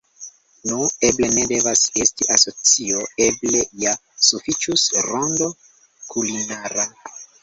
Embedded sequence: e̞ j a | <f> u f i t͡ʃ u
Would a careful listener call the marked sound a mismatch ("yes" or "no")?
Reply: yes